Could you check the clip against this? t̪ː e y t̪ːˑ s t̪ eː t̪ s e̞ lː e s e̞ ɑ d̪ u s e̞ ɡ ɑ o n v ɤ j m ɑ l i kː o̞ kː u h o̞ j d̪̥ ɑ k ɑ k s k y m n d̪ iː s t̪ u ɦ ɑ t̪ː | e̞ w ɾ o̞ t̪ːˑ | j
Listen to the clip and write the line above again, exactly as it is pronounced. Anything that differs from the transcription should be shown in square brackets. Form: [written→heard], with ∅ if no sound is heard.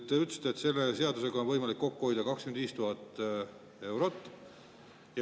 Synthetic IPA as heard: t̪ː e y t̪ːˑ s t̪ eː t̪ s e̞ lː e s e̞ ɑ d̪ u s e̞ ɡ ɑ o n v ɤ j m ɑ l i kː o̞ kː u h o̞ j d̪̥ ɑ k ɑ k s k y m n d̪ iː s t̪ u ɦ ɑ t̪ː | e̞ w ɾ o̞ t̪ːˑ | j

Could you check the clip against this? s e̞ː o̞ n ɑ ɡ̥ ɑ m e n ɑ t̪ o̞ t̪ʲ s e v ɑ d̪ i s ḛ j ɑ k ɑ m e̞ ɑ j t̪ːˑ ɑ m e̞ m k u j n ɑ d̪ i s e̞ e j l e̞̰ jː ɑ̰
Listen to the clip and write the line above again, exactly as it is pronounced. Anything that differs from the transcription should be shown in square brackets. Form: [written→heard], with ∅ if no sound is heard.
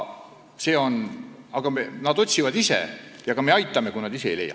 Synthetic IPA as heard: s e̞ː o̞ n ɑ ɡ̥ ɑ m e n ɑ [t̪→d̪] o̞ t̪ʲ s [e→i] v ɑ d̪ i s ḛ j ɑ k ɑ m e̞ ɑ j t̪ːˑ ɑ m e̞ [m→∅] k u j n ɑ d̪ i s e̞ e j l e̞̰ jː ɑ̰

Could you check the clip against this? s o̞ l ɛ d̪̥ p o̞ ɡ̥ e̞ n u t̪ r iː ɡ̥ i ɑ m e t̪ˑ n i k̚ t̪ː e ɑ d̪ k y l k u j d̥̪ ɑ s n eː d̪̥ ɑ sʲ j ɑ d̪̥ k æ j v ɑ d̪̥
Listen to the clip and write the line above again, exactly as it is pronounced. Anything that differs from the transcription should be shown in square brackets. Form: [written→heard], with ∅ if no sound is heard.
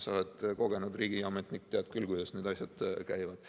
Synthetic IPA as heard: s o̞ l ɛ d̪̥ [p→k] o̞ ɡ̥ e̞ n u [t̪→d̪] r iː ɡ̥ i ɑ m e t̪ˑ n i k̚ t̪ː e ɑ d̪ k y l k u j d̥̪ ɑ s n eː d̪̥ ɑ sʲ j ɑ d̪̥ k æ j v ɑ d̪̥

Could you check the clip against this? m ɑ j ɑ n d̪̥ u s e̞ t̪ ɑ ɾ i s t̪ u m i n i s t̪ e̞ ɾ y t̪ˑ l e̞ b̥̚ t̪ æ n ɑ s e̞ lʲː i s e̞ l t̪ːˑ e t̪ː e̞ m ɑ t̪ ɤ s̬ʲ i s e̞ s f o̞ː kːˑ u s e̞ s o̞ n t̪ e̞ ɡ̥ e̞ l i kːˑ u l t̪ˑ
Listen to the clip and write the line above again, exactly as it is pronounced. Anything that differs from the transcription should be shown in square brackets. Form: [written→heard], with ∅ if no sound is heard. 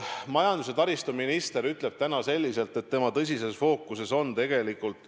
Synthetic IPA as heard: m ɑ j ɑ n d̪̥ u s e̞ t̪ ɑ ɾ i s t̪ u m i n i s t̪ e̞ ɾ y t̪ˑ l e̞ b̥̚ t̪ æ n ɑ s e̞ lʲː i s e̞ l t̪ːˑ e t̪ː e̞ m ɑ t̪ ɤ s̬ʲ i s e̞ s f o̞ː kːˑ u s e̞ s o̞ n t̪ e̞ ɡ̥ e̞ l i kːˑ u l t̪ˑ

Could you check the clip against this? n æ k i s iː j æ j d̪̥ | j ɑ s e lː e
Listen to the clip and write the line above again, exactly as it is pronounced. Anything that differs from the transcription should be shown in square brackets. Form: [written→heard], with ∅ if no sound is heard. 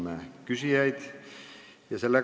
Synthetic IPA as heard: [n→m] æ k [i→y] s [iː→i] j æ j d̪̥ | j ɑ s e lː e

